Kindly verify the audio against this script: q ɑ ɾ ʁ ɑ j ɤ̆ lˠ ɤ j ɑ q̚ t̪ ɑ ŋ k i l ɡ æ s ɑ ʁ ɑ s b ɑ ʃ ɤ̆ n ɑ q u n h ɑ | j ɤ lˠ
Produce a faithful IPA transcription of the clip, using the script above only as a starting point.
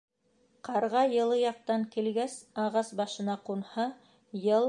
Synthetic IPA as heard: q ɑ ɾ ʁ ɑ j ɤ̆ lˠ ɤ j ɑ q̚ t̪ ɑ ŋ k i l ɡ æ s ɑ ʁ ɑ s b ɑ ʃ ɤ̆ n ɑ q u n h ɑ | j ɤ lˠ